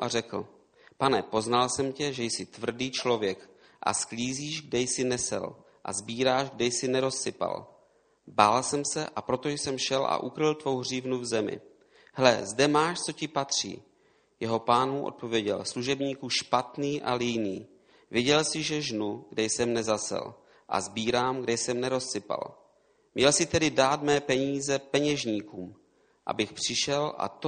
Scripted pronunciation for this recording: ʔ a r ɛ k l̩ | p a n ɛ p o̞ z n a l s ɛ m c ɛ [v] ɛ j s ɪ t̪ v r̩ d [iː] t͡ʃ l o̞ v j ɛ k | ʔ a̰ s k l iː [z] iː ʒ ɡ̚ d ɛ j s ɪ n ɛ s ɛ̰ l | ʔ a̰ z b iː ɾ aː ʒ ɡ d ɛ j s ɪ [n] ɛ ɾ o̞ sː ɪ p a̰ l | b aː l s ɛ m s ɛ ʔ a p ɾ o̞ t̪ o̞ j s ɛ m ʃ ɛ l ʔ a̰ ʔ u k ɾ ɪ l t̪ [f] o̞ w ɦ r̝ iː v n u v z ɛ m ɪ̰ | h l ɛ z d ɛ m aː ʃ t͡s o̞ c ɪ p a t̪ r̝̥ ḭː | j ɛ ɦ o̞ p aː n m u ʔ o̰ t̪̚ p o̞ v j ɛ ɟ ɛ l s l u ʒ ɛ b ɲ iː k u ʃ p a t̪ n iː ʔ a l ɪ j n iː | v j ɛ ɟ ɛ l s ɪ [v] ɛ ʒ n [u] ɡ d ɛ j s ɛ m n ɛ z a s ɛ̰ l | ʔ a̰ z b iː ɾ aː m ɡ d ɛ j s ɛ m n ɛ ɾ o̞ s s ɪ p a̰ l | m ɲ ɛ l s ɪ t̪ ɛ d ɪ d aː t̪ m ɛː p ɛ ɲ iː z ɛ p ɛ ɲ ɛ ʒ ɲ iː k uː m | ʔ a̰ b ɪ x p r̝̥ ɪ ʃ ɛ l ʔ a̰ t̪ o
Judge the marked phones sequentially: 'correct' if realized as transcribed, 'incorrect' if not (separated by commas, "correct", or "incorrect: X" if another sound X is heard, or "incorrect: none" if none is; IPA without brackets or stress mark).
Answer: incorrect: ʒ, correct, correct, correct, incorrect: v, incorrect: ʒ, correct